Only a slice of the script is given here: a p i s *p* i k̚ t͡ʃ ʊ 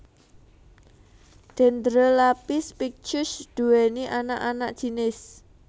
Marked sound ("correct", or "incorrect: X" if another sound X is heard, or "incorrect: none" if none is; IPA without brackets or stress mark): correct